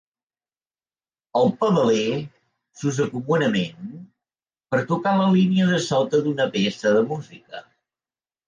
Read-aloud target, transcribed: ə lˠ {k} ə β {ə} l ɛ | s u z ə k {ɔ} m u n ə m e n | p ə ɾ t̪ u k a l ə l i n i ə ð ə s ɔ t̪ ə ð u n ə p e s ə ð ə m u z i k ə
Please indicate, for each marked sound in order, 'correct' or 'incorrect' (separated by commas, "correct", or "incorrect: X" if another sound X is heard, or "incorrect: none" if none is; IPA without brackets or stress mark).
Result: incorrect: p, correct, incorrect: u